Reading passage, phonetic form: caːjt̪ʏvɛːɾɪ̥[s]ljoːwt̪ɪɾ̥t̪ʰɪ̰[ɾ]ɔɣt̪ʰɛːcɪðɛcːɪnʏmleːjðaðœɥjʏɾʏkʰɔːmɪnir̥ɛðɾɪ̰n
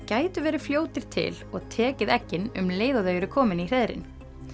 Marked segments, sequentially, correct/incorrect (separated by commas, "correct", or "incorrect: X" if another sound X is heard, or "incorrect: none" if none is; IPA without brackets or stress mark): incorrect: f, incorrect: l